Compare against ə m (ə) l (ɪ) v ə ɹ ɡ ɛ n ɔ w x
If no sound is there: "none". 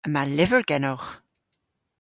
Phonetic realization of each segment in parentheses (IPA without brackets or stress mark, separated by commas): a, ɪ